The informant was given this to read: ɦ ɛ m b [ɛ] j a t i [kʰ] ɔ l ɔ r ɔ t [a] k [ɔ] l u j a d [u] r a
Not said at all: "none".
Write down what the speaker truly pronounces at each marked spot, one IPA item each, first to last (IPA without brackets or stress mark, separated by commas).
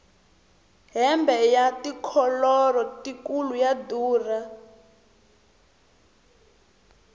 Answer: ɛ, kʰ, i, u, uː